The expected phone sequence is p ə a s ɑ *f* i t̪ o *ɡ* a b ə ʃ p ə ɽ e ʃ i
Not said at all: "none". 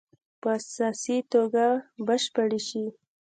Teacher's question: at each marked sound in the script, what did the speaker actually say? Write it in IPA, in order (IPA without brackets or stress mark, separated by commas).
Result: s, ɡ